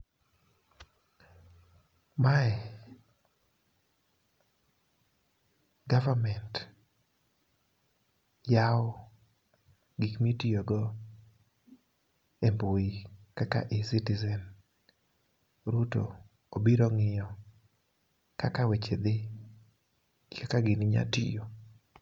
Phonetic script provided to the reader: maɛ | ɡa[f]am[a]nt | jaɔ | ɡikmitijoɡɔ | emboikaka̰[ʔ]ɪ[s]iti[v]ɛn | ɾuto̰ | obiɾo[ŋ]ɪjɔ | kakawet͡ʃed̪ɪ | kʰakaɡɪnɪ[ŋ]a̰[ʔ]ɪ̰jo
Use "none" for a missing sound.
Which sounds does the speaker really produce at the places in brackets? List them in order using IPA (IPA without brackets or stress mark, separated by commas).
v, ɛ, ʔ, s, z, ŋ, ɲ, t